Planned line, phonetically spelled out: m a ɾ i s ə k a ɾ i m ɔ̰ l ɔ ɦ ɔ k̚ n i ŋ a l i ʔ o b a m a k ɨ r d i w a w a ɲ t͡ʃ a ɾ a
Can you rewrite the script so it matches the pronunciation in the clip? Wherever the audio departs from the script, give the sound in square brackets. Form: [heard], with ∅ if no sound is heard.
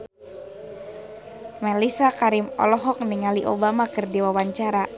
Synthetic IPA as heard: m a [l] i s [a] k a ɾ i m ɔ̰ l ɔ ɦ ɔ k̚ n i ŋ a l i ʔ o b a m a k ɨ r d i w a w a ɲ t͡ʃ a ɾ a